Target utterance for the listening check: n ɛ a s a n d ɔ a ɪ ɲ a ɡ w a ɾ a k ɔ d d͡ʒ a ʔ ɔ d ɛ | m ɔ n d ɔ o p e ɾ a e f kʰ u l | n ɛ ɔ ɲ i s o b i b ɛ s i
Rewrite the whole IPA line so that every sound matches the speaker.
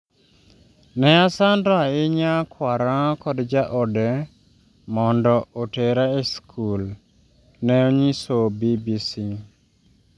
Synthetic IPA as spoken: n ɛ a s a n d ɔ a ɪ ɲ a k w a ɾ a k ɔ d d͡ʒ a ʔ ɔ d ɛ | m ɔ n d ɔ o t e ɾ a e s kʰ u l | n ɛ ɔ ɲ i s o b i b i s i